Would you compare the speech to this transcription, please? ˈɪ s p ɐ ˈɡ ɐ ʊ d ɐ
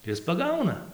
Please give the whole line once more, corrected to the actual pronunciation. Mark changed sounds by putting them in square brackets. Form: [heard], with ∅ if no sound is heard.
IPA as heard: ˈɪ s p ɐ ˈɡ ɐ ʊ [n] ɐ